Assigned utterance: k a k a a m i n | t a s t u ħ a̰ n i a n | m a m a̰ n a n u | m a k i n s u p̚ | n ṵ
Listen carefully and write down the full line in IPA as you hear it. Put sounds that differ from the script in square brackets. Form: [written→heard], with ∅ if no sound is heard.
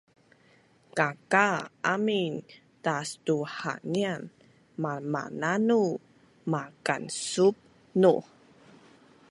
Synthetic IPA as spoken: k a k a a m i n | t a s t u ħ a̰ n i a n | m a m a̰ n a n u | m a k [i→a] n s u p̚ | n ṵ